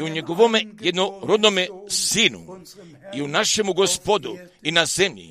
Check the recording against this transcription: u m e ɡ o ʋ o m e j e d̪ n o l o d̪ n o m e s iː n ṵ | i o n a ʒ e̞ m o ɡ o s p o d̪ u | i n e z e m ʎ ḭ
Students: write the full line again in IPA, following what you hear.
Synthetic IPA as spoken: u ɲ e ɡ o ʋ o m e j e d̪ n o ɾ o d̪ n o m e s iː n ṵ | i u n a ʃ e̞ m u ɡ o s p o d̪ u | i n a z e m ʎ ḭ